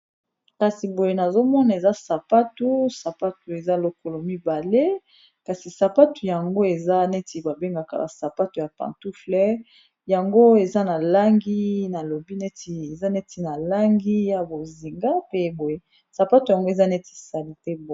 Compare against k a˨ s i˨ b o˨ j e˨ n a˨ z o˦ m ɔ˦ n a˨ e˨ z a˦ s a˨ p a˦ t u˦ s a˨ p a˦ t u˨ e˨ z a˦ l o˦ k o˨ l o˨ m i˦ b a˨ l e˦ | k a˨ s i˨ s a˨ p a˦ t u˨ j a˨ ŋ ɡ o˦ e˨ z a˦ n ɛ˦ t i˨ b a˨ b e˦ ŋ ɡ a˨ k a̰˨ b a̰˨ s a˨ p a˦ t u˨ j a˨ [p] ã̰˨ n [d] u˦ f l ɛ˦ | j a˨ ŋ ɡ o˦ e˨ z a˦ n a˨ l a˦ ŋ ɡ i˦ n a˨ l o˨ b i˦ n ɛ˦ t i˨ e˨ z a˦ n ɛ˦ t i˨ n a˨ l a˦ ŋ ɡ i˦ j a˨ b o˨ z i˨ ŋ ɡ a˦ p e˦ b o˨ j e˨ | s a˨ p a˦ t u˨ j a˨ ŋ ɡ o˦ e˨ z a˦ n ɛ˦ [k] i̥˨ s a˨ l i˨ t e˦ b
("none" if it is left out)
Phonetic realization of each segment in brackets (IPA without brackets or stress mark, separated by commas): p, t, t